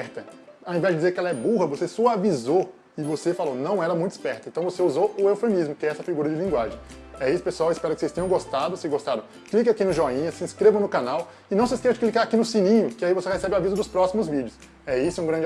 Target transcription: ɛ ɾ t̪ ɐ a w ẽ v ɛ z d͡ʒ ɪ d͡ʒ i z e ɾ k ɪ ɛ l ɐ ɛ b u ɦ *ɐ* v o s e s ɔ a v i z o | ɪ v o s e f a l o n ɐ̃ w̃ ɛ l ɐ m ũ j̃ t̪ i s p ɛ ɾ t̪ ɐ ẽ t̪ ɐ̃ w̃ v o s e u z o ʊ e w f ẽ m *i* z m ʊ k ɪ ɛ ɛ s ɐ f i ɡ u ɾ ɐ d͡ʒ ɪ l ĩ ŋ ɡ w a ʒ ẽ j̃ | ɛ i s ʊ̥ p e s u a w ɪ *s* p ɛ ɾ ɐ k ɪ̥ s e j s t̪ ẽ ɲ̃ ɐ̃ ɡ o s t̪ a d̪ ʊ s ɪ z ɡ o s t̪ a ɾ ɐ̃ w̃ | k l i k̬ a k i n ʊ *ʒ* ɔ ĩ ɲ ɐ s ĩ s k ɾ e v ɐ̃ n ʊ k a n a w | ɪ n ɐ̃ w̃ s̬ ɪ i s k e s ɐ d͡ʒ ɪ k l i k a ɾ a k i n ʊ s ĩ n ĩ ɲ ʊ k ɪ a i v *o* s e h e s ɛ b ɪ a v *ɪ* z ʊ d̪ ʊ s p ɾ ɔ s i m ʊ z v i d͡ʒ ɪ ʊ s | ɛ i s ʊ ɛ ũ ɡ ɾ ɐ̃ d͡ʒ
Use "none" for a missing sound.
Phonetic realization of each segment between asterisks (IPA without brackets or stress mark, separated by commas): ɐ, i, s, ʒ, o, i